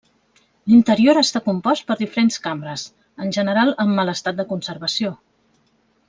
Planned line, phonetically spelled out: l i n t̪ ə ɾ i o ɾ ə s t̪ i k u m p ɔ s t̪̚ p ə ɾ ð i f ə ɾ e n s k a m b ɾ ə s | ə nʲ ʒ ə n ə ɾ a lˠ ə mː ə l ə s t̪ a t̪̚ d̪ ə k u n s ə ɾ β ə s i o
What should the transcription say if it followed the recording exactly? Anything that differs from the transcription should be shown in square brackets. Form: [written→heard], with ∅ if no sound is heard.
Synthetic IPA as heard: l i n t̪ ə ɾ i o ɾ ə s t̪ [i→a] k u m p ɔ s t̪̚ p ə ɾ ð i f ə ɾ e n s k a m b ɾ ə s | ə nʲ ʒ ə n ə ɾ a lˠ ə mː ə l ə s t̪ a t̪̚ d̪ ə k u n s ə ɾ β ə s i o